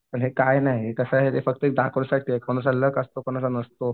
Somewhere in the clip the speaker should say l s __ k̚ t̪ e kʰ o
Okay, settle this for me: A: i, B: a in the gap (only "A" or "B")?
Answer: B